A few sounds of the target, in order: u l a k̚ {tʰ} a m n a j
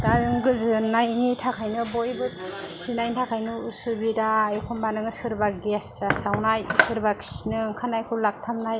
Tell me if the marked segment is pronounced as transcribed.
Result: yes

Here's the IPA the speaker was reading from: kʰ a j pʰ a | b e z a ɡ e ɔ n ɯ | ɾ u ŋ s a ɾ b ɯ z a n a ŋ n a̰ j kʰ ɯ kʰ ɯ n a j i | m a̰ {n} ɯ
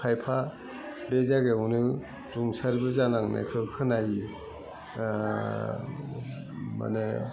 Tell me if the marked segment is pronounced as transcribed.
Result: yes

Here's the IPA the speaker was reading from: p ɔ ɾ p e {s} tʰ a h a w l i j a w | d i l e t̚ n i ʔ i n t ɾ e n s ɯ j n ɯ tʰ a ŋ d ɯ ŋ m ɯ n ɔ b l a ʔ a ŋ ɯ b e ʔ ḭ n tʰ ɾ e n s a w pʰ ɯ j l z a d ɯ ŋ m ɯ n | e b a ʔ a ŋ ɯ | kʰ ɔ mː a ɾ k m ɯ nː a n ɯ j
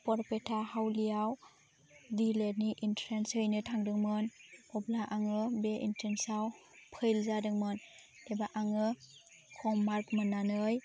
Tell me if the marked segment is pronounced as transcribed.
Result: no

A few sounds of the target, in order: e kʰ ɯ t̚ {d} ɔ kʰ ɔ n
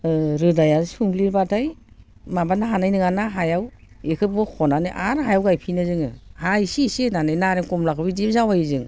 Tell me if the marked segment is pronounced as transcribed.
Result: no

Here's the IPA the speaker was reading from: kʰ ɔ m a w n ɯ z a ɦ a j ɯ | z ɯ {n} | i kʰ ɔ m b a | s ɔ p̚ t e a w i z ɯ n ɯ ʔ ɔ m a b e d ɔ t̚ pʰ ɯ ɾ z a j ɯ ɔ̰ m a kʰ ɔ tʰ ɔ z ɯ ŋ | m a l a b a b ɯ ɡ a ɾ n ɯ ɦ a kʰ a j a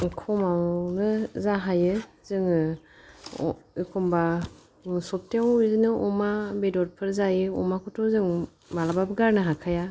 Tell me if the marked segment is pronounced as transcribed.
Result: no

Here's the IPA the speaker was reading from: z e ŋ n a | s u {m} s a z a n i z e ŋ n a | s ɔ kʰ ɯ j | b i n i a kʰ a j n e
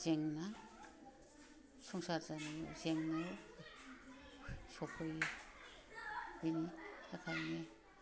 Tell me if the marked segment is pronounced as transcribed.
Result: no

